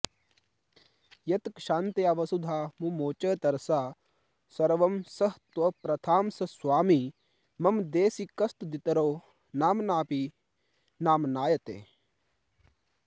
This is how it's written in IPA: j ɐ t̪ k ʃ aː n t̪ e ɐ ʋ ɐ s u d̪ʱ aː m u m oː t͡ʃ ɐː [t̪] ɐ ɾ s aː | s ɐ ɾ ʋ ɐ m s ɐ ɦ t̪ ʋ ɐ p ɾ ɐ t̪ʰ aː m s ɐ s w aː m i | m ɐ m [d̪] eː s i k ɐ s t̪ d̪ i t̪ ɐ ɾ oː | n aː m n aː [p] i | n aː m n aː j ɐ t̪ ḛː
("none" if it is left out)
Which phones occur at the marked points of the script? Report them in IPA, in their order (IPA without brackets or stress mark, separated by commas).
t̪, d̪, p